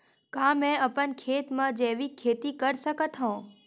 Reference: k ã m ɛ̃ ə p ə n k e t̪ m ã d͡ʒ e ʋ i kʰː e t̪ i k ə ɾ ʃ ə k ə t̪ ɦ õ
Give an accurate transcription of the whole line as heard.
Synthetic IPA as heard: k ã m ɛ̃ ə p ə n kʰ e t̪ m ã d͡ʒ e ʋ i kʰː e t̪ i k ə ɾ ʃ ə k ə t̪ ɦ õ